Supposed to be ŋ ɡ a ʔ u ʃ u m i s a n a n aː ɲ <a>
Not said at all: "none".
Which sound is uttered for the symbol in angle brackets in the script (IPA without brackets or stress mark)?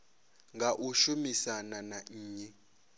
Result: ɛ